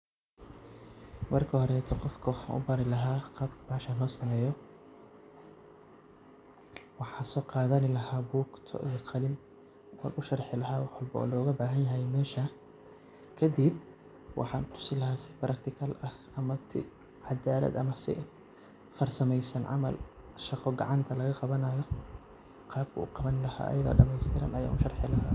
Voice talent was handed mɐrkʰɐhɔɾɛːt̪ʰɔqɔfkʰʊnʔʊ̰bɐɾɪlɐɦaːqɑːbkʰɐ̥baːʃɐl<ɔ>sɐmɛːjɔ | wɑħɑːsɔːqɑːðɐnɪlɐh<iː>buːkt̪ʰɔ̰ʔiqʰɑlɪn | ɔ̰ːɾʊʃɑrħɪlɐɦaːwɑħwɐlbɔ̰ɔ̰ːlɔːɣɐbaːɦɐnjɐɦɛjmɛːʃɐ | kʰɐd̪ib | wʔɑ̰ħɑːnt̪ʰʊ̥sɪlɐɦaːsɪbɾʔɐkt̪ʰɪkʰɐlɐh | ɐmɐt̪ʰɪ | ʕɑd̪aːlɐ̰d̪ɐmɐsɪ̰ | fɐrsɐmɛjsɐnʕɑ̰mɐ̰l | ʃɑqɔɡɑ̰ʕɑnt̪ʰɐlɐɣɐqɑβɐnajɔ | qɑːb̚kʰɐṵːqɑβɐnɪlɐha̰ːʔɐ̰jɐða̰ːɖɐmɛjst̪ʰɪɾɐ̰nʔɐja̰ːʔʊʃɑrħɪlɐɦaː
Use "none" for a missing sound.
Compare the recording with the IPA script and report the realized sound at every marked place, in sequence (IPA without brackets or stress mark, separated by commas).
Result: ɔː, aː